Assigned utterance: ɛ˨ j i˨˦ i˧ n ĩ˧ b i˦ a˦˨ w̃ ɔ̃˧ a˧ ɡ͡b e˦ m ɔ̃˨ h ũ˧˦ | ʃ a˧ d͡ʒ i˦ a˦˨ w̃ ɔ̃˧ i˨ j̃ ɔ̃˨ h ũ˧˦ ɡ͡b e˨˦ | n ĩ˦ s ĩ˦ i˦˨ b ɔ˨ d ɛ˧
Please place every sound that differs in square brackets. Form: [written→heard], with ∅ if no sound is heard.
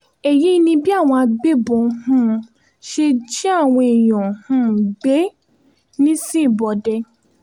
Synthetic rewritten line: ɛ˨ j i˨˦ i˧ n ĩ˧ b i˦ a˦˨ w̃ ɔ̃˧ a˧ ɡ͡b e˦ [m→b] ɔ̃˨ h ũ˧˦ | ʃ [a˧→e˧] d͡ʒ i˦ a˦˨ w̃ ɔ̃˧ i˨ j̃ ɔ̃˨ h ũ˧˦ ɡ͡b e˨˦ | n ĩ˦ s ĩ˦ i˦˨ b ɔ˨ d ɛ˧